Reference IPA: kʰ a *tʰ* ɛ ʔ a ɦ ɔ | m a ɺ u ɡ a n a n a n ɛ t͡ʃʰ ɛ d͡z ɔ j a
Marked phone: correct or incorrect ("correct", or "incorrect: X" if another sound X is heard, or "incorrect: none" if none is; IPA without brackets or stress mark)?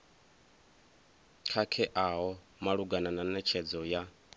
incorrect: kʰ